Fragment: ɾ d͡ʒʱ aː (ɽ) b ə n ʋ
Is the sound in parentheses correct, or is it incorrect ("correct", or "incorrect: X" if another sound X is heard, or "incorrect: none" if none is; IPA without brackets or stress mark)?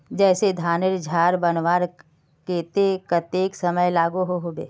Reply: incorrect: ɾ